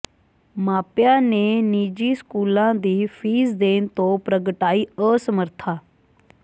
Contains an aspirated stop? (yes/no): yes